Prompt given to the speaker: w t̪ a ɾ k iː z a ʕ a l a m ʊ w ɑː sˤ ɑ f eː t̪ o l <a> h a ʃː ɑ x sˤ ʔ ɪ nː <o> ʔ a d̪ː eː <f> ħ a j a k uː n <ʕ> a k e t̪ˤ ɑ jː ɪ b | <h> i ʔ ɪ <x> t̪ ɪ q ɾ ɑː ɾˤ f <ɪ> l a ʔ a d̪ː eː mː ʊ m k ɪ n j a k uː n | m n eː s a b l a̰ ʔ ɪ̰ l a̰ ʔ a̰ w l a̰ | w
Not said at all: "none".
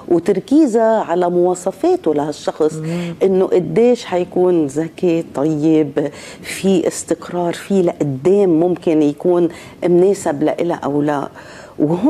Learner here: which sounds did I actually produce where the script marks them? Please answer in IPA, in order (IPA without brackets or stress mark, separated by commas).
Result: a, o, ʃ, z, f, s, i